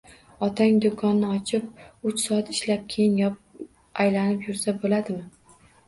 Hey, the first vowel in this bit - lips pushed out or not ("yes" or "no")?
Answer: yes